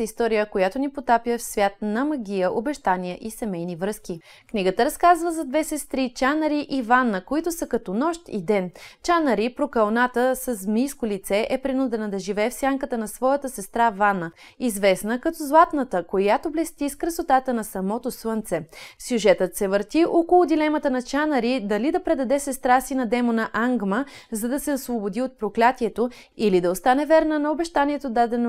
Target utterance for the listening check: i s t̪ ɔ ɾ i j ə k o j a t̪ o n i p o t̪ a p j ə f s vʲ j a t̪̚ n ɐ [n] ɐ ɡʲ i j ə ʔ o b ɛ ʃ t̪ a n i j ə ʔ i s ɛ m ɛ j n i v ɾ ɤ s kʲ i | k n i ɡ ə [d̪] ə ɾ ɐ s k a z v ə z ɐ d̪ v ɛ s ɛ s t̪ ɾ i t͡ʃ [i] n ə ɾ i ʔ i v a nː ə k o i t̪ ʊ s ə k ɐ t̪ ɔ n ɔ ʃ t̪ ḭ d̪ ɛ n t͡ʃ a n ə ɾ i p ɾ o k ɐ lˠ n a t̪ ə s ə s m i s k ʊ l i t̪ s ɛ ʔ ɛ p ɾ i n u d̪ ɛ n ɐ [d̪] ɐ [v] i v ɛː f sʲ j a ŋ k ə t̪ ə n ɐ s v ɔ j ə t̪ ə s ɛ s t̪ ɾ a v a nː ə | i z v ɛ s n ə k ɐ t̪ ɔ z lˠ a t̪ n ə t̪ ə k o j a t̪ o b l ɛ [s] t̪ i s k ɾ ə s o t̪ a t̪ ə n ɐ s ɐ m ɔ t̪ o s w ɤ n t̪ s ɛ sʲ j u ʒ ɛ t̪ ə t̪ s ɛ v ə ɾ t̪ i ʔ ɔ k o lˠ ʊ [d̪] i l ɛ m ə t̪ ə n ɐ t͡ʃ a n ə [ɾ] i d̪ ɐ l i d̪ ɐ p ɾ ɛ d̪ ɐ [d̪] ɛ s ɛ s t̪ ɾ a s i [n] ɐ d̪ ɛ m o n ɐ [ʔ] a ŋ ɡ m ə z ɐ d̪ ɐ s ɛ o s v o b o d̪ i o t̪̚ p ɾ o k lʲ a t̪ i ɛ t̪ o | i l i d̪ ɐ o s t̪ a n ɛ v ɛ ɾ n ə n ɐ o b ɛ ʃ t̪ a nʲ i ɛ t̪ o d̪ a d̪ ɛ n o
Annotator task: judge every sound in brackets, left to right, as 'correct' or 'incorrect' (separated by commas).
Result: incorrect, incorrect, incorrect, correct, incorrect, correct, correct, correct, correct, correct, correct